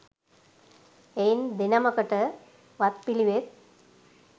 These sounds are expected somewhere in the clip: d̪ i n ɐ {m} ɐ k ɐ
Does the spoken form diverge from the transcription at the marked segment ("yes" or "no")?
no